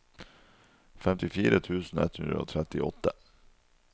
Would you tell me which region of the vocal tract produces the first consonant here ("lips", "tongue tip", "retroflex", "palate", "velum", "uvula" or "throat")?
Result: lips